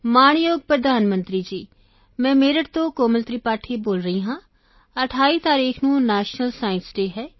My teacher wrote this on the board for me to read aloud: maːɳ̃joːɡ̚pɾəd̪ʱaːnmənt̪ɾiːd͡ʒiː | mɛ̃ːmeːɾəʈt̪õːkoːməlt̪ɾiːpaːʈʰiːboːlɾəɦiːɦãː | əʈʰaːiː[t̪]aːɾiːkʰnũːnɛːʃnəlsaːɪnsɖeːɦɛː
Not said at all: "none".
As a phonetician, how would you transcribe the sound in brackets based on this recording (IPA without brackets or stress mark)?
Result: t̪